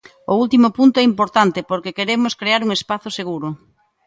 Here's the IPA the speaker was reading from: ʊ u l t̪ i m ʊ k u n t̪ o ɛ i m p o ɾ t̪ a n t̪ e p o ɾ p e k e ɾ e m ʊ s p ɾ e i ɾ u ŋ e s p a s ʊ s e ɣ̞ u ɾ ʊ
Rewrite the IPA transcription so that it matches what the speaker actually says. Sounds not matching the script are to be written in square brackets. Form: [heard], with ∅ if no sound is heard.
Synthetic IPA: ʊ u l t̪ i m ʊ [p] u n t̪ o ɛ i m p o ɾ t̪ a n t̪ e p o ɾ [k] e k e ɾ e m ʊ s [k] ɾ e [a] ɾ u ŋ e s p a [θ] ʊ s e ɣ̞ u ɾ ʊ

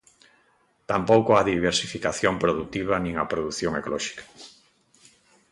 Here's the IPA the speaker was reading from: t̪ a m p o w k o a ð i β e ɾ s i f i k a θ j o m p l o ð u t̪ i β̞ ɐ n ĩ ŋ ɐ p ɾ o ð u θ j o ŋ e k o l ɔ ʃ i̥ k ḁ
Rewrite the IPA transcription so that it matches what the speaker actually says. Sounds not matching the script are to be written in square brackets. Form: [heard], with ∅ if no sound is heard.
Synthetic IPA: t̪ a m p o w k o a ð i β e ɾ s i f i k a θ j o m p [ɾ] o ð u t̪ i β̞ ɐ n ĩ ŋ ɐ p ɾ o ð u θ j o ŋ e k o l ɔ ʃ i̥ k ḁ

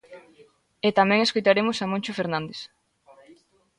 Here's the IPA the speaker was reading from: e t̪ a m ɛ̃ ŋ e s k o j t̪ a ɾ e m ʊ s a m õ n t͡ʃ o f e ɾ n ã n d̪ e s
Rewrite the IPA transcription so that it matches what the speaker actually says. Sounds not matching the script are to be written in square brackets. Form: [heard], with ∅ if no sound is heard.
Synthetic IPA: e t̪ a m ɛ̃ ŋ e s k o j t̪ a ɾ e m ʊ s a m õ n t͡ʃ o f e ɾ n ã n d̪ e s

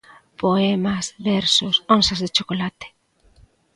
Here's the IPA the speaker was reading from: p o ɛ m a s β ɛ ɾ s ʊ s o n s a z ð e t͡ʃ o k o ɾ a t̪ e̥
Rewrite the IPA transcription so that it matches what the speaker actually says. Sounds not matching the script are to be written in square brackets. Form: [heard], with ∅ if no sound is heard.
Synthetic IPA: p o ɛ m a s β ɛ ɾ s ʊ s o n s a z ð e t͡ʃ o k o [l] a t̪ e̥

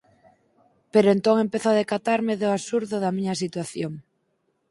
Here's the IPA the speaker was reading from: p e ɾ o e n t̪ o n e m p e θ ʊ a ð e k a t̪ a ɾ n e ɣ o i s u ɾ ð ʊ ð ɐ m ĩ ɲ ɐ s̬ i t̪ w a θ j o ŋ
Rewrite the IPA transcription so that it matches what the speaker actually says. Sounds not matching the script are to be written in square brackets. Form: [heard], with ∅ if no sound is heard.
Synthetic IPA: p e ɾ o e n t̪ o [ŋ] e m p e θ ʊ a ð e k a t̪ a ɾ [m] e [ð] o [a] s u ɾ ð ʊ ð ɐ m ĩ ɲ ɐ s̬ i t̪ w a θ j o ŋ

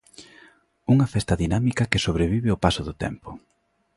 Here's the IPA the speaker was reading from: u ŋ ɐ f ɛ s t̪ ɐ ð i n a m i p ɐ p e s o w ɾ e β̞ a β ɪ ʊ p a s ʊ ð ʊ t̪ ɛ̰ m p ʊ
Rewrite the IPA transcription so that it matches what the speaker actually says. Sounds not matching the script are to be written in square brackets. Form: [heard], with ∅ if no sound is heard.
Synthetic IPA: u ŋ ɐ f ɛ s t̪ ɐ ð i n a m i [k] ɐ [k] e s o [β] ɾ e β̞ [i] β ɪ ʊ p a s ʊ ð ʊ t̪ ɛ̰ m p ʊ

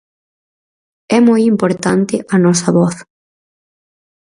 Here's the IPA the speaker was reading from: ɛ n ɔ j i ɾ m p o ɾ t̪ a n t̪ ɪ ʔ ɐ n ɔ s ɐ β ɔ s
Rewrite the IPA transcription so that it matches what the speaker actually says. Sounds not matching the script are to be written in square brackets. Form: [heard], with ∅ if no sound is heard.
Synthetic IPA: ɛ [m] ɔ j i [∅] m p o ɾ t̪ a n t̪ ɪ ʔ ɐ n ɔ s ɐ β ɔ [θ]

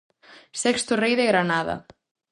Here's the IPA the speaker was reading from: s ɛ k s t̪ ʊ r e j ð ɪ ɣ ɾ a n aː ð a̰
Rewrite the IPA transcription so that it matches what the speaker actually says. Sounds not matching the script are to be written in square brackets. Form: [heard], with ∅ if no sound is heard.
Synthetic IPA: s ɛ k s t̪ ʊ r e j ð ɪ ɣ ɾ a n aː ð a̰

